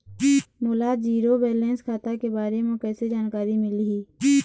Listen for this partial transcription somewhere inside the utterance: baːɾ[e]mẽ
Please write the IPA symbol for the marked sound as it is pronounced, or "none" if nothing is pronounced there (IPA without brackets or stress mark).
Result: e